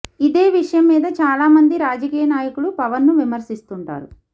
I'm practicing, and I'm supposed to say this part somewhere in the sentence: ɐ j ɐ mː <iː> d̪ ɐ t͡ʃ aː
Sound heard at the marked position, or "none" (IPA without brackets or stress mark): iː